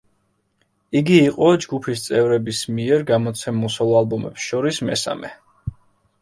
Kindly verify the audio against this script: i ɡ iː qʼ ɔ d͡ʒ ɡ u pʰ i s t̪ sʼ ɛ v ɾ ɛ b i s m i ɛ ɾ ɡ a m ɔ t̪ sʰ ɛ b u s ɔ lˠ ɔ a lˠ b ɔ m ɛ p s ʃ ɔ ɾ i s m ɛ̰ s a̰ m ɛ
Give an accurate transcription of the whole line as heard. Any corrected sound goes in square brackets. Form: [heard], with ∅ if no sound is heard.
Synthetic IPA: i ɡ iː qʼ ɔ d͡ʒ ɡ u pʰ i s t̪ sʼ ɛ v ɾ ɛ b i s m i ɛ ɾ ɡ a m ɔ t̪ sʰ ɛ [m] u s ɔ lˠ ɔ a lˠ b ɔ m ɛ p s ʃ ɔ ɾ i s m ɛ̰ s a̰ m ɛ